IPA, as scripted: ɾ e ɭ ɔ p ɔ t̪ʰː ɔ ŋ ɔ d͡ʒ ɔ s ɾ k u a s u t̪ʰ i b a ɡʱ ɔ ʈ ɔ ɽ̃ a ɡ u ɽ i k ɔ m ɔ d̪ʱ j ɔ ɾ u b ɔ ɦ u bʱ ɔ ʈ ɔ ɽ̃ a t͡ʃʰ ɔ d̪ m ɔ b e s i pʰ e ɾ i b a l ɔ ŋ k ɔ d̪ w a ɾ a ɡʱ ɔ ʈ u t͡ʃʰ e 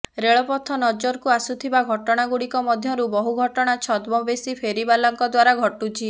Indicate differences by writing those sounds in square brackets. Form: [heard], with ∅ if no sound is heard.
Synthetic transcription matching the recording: ɾ e ɭ ɔ p ɔ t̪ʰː ɔ [n] ɔ d͡ʒ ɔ [∅] ɾ k u a s u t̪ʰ i b a ɡʱ ɔ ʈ ɔ ɽ̃ a ɡ u ɽ i k ɔ m ɔ d̪ʱ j ɔ ɾ u b ɔ ɦ u [ɡʱ] ɔ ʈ ɔ ɽ̃ a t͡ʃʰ ɔ d̪ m ɔ b e s i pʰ e ɾ i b a l ɔ ŋ k ɔ d̪ w a ɾ a ɡʱ ɔ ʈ u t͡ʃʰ [i]